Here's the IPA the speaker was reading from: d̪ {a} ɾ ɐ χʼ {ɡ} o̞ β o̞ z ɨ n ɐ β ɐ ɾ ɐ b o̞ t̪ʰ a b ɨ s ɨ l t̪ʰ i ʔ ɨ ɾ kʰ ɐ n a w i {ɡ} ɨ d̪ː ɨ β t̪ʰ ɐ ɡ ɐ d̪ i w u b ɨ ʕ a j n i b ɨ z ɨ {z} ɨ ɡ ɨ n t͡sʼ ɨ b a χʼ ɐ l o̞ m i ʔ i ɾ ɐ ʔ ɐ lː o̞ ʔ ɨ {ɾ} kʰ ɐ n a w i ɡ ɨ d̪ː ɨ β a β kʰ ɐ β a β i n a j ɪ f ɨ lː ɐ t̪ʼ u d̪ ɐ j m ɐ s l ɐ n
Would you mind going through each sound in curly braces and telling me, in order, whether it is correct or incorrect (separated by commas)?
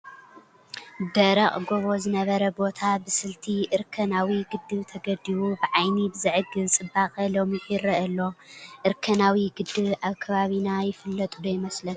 incorrect, correct, correct, incorrect, correct